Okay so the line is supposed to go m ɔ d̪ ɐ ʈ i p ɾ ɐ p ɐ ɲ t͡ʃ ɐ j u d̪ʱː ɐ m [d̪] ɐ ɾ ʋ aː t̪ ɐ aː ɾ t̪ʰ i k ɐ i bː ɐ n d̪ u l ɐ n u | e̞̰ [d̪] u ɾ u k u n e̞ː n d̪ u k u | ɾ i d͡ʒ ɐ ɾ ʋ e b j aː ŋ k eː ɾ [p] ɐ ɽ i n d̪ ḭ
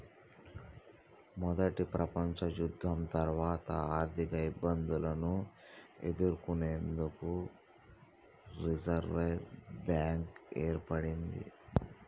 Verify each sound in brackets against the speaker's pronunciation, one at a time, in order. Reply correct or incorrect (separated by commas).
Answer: incorrect, correct, correct